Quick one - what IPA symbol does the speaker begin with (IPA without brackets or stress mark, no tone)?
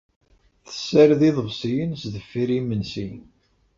θ